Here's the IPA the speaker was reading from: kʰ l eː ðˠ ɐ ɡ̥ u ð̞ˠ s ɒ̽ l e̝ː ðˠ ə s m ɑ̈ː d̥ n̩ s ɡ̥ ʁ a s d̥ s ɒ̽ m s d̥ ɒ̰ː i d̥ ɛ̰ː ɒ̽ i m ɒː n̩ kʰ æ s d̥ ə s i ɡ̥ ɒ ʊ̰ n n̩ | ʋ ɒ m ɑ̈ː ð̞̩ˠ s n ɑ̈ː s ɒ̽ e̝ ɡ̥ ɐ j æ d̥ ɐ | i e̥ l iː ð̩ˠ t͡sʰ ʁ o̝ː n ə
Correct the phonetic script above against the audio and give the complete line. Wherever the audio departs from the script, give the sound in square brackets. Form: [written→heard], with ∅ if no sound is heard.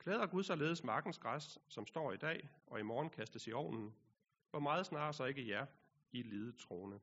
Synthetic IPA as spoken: kʰ l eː ðˠ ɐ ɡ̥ u ð̞ˠ s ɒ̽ l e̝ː ðˠ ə s m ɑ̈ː [d̥→ɡ̥] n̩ s ɡ̥ ʁ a s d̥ s ɒ̽ m s d̥ ɒ̰ː i d̥ ɛ̰ː ɒ̽ i m ɒː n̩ kʰ æ s d̥ ə s i [ɡ̥→∅] ɒ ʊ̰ n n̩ | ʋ ɒ m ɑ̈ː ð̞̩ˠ s n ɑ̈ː s ɒ̽ e̝ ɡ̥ [ɐ→ə] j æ [d̥→∅] ɐ | i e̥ l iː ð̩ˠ t͡sʰ ʁ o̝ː n ə